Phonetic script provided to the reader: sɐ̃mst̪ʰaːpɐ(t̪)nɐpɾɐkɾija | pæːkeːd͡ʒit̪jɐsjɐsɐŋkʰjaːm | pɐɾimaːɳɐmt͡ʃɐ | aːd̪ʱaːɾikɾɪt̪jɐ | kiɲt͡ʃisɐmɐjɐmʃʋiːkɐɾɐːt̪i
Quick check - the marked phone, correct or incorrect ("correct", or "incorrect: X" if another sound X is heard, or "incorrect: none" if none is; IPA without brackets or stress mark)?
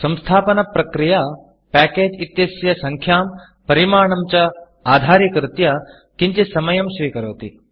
incorrect: none